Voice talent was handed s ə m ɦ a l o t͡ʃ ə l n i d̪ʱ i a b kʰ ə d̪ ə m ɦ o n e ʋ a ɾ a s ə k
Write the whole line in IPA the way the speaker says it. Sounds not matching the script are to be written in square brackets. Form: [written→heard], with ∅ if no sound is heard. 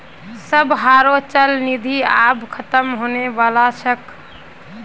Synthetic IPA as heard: s ə [m→b] ɦ a [l→ɾ] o t͡ʃ ə l n i d̪ʱ i a b kʰ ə [d̪→t̪] ə m ɦ o n e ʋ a [ɾ→l] a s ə k